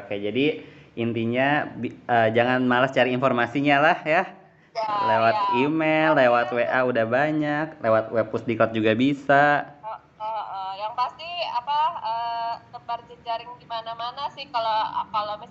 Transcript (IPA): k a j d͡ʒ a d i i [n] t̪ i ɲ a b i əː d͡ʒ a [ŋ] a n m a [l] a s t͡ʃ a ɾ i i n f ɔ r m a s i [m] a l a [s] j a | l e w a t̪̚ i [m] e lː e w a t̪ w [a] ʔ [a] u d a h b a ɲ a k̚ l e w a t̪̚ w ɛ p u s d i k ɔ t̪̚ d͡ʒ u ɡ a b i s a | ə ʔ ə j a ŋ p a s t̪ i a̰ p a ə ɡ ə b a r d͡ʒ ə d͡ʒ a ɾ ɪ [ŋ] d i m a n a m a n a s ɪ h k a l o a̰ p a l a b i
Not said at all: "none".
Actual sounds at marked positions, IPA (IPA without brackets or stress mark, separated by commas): n, ŋ, l, ɲ, h, m, e, a, ŋ